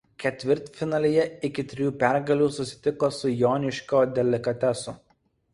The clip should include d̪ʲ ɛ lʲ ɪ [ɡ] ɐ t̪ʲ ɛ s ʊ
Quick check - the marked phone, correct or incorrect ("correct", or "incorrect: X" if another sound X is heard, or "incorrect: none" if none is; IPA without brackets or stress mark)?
incorrect: k